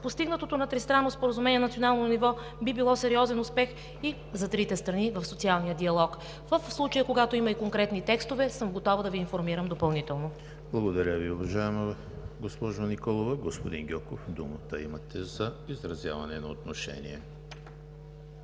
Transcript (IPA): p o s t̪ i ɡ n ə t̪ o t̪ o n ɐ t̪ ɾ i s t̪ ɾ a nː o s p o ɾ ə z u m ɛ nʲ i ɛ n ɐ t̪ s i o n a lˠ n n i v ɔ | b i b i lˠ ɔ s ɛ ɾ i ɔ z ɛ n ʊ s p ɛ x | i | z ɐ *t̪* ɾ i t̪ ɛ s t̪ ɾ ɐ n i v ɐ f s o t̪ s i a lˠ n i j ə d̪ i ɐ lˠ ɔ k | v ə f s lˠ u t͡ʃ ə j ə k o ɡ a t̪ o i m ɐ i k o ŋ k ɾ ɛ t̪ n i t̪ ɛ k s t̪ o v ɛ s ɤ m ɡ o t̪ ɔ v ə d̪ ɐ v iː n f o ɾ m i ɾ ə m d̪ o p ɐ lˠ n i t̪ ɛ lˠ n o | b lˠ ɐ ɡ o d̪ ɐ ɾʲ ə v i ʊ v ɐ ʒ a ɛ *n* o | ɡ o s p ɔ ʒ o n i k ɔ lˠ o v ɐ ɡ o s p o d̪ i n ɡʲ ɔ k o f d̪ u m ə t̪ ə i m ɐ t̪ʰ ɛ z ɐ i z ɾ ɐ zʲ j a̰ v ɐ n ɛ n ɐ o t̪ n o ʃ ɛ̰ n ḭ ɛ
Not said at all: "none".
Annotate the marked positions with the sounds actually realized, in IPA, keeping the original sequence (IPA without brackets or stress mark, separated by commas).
t̪, m